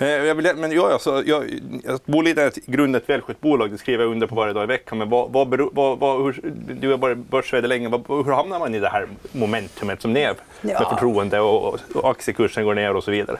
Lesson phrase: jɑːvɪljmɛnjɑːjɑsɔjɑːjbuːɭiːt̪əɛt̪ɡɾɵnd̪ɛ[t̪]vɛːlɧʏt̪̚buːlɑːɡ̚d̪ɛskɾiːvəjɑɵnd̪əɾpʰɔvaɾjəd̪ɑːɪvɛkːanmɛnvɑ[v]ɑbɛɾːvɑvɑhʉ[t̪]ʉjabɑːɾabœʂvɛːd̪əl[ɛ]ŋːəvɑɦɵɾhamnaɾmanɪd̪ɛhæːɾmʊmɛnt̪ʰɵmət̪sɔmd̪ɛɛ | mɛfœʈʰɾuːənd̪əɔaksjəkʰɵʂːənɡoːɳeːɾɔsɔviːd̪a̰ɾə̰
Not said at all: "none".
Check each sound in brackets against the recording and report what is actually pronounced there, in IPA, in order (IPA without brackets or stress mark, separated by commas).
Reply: t̪, v, d̪, ɛ